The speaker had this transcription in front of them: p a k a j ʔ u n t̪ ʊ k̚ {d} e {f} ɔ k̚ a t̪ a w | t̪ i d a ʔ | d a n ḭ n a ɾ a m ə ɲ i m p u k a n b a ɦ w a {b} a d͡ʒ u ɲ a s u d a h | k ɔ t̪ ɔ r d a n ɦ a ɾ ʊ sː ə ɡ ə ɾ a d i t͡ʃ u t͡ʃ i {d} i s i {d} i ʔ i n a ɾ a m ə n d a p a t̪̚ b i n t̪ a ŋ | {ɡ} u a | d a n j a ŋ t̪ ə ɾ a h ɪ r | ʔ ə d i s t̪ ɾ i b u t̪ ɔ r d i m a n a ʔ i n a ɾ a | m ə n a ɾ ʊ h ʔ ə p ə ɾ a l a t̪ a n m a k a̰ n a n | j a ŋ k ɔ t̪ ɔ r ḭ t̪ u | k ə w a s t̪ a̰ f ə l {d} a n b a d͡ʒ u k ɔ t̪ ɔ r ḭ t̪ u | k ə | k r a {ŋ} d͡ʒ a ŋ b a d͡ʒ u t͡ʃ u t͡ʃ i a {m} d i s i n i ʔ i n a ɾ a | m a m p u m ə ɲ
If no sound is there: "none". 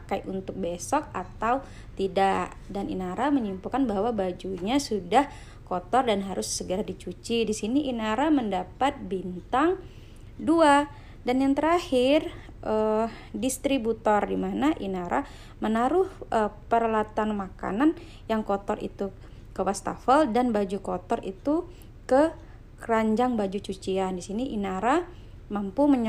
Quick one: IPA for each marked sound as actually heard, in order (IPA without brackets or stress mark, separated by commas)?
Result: b, s, b, d, n, d, d, ɲ, n